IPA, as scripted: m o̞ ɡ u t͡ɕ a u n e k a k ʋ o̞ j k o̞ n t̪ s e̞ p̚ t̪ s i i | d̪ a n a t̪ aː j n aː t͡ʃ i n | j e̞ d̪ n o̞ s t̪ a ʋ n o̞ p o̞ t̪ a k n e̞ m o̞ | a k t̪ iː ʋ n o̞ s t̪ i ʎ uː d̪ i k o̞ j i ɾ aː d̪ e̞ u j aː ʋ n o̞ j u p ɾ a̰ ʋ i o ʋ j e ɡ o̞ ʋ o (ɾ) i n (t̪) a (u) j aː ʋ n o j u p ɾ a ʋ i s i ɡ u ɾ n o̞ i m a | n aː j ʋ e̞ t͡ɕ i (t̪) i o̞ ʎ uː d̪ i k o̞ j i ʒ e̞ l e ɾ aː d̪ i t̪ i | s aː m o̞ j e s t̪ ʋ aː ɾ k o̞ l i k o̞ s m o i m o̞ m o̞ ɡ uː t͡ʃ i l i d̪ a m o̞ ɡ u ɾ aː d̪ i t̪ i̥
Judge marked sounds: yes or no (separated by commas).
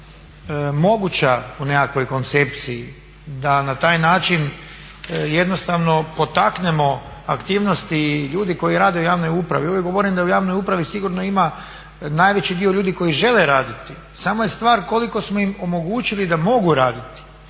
yes, no, yes, no